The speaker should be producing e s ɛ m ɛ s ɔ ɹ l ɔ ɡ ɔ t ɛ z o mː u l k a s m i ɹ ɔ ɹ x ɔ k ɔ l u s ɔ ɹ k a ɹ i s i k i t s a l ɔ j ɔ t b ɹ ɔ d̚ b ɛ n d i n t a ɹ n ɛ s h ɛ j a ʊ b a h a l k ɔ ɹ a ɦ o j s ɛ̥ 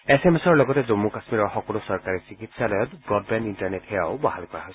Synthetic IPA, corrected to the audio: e s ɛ m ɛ s ɔ ɹ l ɔ ɡ ɔ t ɛ z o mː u k a s m i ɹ ɔ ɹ x ɔ k ɔ l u s ɔ ɹ k a ɹ i s i k i t s a l ɔ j ɔ t b ɹ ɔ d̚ b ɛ n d i n t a ɹ n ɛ t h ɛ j a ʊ b a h a l k ɔ ɹ a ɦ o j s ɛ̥